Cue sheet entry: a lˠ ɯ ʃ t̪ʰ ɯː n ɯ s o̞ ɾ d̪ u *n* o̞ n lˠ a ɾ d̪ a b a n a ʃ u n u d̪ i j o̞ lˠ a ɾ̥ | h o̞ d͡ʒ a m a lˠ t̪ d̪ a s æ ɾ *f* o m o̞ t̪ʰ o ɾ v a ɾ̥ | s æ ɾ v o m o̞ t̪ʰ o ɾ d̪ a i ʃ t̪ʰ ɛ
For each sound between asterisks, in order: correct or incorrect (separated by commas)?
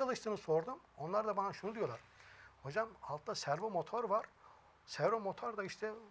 incorrect, incorrect